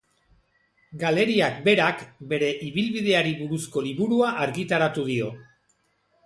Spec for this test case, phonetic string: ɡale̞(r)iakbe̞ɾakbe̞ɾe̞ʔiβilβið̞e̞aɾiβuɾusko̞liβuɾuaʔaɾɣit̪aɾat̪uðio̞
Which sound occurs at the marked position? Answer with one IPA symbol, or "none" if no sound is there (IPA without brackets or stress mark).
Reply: ɾ